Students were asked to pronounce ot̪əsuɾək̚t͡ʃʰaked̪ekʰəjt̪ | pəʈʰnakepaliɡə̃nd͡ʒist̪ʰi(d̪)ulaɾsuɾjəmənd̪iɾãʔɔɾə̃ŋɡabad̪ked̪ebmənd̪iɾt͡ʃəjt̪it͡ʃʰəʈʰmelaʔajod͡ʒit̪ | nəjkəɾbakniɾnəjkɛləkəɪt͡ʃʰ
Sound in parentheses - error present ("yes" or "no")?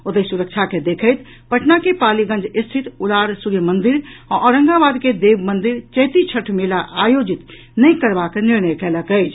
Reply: yes